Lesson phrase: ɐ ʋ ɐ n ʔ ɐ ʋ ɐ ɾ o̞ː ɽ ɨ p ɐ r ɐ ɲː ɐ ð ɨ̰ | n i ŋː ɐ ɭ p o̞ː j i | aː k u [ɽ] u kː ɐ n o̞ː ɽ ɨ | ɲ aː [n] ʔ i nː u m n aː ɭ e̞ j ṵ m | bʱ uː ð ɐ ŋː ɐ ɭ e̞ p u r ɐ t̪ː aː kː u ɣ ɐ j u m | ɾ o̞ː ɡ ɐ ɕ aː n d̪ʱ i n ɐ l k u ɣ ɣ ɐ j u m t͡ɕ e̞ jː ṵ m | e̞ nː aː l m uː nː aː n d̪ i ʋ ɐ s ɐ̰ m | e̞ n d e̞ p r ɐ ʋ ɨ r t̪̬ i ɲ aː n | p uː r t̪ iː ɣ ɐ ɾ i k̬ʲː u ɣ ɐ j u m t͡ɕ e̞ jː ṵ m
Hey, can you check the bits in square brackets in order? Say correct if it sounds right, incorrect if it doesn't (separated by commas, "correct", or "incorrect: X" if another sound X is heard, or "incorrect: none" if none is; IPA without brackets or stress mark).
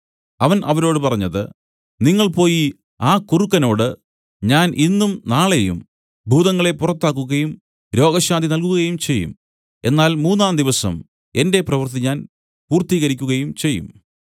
incorrect: r, correct